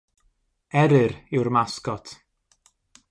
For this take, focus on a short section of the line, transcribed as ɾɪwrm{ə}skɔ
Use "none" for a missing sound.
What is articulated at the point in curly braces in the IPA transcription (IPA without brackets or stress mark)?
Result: a